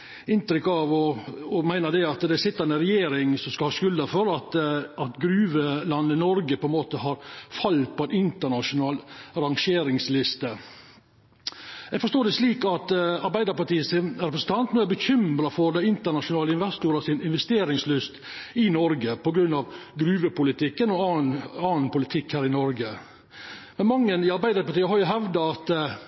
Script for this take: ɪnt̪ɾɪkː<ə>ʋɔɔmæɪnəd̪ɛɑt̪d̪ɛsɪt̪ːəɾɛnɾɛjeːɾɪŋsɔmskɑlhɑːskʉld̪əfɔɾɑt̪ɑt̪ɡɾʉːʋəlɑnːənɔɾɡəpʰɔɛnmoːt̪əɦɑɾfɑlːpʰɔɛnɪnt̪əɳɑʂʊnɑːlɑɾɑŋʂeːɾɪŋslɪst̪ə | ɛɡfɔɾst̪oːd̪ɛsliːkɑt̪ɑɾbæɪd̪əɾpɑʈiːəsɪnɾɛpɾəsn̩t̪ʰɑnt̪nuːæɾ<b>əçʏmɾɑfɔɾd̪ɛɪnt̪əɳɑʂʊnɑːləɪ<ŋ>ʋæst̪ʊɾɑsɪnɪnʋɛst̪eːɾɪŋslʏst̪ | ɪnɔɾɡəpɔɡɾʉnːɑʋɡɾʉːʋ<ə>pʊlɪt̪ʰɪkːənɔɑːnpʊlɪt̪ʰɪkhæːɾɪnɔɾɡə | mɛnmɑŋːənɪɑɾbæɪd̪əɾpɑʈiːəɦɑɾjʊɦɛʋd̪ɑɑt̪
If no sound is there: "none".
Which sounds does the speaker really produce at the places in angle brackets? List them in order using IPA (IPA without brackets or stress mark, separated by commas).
ɑ, b, n, ə